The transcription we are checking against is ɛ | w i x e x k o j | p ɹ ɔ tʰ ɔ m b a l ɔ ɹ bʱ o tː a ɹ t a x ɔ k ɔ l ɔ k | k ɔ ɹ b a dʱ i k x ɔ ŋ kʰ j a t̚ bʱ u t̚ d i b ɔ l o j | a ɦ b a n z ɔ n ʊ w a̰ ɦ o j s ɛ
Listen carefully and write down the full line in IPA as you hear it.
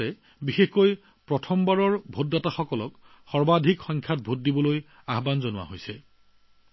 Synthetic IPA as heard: ɛ | b i x e x k o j | p ɹ ɔ tʰ ɔ m b a ɹ ɔ ɹ bʱ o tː a t a x ɔ k ɔ l ɔ k | x ɔ ɹ b a dʱ i k x ɔ ŋ kʰ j a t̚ bʱ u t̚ d i b ɔ l o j | a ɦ b a n z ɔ n ʊ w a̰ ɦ o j s ɛ